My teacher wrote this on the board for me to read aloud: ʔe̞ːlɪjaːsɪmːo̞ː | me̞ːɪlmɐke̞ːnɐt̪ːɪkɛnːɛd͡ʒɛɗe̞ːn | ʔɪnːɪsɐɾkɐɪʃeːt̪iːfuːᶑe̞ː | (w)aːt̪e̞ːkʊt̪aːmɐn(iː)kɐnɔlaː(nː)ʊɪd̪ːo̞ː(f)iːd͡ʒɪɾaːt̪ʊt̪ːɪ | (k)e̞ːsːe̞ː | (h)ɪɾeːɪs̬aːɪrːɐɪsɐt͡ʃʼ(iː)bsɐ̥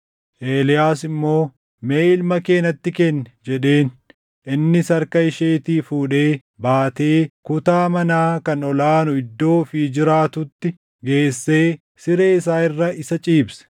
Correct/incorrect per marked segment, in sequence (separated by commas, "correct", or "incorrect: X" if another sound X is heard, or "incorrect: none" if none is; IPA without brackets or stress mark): incorrect: b, incorrect: aː, incorrect: n, correct, incorrect: ɡ, incorrect: s, correct